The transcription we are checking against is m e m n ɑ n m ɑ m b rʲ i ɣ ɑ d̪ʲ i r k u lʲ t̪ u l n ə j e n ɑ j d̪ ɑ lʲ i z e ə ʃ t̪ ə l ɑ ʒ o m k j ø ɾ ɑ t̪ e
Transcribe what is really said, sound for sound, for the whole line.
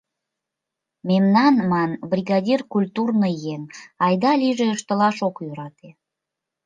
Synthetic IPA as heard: m e m n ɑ n m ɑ n b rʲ i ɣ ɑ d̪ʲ i r k u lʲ t̪ u r n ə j e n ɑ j d̪ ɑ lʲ i ʒ e ə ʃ t̪ ə l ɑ ʃ o k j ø ɾ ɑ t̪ e